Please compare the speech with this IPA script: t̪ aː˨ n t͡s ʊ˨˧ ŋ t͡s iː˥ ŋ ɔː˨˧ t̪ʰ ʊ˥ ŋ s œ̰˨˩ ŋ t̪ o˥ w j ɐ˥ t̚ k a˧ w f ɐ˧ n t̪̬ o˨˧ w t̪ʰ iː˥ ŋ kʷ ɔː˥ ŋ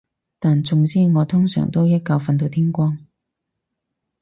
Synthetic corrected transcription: t̪ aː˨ n t͡s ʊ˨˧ ŋ t͡s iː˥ ŋ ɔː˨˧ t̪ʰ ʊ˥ ŋ s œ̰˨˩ ŋ t̪ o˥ w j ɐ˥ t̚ k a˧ w f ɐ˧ n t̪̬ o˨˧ w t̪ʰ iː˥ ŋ kʷ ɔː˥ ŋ